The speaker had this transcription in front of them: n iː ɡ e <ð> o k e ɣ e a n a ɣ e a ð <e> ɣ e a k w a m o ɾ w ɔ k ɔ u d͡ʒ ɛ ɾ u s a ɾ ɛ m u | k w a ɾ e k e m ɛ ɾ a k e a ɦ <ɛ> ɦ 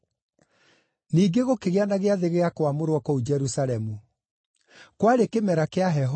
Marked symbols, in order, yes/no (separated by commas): no, yes, yes